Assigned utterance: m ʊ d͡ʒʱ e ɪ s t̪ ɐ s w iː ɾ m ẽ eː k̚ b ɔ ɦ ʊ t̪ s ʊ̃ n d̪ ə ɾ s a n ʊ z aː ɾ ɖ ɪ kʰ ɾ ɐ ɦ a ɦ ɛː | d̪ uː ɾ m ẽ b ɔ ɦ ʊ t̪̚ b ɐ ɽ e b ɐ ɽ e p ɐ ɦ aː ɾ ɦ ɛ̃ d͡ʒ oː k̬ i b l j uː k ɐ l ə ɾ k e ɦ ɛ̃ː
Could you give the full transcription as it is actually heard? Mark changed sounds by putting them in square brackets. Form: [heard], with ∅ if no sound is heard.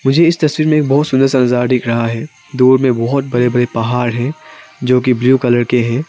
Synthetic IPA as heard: m ʊ d͡ʒʱ e ɪ s t̪ ɐ s w iː ɾ m ẽ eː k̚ b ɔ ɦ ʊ t̪ s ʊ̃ n d̪ ə ɾ s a n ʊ z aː ɾ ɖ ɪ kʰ ɾ ɐ ɦ a ɦ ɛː | d̪ uː ɾ m ẽ b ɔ ɦ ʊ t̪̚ b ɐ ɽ e b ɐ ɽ e p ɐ ɦ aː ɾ ɦ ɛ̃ d͡ʒ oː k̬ i b l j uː k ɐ l ə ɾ k e ɦ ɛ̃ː